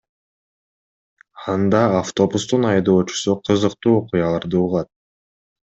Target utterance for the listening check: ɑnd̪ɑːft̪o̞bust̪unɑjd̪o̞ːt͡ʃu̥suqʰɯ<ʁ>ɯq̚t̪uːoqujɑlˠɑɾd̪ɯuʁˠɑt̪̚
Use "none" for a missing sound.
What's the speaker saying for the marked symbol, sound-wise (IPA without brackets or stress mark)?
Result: z